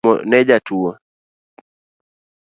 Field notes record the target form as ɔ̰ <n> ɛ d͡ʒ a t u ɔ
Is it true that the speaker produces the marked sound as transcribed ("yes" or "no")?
yes